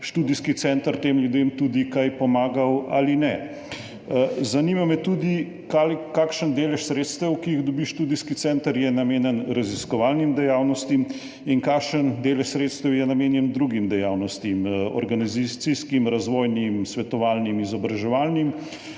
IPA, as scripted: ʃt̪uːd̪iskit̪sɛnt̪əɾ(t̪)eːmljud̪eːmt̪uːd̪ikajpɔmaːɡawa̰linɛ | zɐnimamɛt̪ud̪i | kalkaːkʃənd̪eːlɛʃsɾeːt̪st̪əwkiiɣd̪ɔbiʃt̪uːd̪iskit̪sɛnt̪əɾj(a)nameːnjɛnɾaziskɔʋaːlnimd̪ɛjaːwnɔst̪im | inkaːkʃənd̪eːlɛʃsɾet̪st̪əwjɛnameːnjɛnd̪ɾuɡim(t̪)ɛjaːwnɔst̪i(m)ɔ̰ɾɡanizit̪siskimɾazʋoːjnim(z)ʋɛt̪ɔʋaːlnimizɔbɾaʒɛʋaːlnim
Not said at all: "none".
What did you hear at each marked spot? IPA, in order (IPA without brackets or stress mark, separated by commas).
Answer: t̪, ɛ, d̪, m, s